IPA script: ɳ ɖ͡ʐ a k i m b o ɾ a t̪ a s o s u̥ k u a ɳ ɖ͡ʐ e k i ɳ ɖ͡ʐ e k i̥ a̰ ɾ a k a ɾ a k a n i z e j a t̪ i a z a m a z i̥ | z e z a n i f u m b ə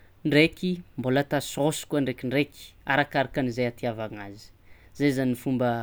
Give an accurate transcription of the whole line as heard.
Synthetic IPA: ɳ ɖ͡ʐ e k i m b o l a t̪ a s o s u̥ k u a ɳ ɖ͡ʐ e k i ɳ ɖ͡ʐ e k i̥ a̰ ɾ a k a ɾ a k a n i z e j a t̪ i a v a ŋ a z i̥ | z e z a n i f u m b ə